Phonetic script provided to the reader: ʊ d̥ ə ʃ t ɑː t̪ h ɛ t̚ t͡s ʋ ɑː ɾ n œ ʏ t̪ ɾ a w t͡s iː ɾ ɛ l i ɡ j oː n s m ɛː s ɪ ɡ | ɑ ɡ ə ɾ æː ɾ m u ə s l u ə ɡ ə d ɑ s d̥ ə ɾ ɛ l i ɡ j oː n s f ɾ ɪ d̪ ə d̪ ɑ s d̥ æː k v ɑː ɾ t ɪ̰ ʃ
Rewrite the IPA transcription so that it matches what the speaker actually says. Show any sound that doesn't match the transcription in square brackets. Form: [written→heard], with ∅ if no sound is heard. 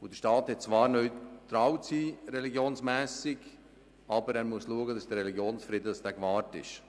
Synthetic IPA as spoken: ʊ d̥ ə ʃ t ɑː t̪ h ɛ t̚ t͡s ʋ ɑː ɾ n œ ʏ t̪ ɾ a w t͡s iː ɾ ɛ l i ɡ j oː n s m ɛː s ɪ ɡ | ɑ [ɡ→b] ə ɾ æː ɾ m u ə s l u ə ɡ ə d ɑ s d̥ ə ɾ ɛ l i ɡ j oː n s f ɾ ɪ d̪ ə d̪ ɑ s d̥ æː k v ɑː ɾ t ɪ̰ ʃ